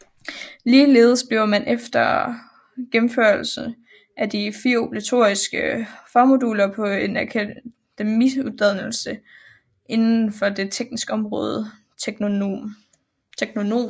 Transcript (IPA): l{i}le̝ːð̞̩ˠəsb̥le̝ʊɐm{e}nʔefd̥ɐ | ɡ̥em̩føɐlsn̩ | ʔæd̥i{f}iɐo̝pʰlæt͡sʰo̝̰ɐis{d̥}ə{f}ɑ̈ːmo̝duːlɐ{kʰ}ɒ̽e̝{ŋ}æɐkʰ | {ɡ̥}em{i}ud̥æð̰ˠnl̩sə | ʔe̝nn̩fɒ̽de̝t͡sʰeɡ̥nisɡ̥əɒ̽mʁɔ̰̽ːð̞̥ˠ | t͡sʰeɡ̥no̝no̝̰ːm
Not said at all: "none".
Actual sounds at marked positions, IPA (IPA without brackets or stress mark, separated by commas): iː, æ, f, ɡ̥, f, pʰ, n, d̥, i